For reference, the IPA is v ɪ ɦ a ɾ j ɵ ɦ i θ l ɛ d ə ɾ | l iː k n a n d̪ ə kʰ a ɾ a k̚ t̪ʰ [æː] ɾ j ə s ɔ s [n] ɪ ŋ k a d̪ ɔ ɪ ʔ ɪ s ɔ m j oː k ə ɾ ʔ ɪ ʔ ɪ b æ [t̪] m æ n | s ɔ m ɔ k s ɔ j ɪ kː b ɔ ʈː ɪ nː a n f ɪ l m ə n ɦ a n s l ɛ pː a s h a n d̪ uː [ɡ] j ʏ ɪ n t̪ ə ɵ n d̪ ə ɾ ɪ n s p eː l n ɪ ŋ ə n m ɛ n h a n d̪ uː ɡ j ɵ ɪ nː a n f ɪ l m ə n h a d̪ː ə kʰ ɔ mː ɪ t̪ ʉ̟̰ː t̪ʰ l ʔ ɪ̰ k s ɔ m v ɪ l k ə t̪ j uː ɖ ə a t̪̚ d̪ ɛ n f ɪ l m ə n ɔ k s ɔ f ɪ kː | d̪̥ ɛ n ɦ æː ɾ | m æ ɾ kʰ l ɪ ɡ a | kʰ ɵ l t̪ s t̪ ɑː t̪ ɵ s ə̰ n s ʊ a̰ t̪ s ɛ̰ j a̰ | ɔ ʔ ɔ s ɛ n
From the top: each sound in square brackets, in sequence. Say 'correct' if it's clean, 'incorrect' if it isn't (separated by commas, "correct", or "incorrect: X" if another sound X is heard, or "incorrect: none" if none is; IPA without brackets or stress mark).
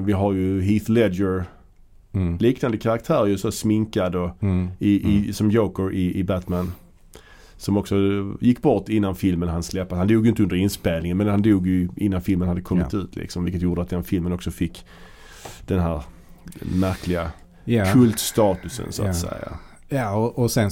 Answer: correct, incorrect: m, correct, correct